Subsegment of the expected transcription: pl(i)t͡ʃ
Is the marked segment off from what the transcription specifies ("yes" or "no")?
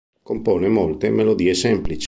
no